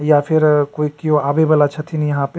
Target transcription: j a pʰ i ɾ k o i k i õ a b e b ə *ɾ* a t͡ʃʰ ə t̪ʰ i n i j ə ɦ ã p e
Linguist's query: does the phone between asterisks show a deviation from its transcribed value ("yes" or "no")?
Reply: yes